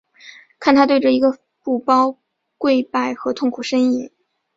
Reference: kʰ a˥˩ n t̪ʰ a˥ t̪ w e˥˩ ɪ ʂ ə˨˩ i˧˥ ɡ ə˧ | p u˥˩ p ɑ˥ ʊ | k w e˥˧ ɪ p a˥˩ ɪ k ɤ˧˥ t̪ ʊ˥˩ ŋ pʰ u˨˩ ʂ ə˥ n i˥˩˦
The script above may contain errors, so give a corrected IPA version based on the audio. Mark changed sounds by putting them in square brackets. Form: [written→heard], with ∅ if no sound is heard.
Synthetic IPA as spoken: kʰ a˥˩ n t̪ʰ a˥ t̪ w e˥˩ ɪ [ʂ→ʈ͡ʂ] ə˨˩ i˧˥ ɡ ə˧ | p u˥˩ p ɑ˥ ʊ | k w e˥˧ ɪ p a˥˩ ɪ [k→x] ɤ˧˥ [t̪→t̪ʰ] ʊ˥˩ ŋ [pʰ→kʰ] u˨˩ ʂ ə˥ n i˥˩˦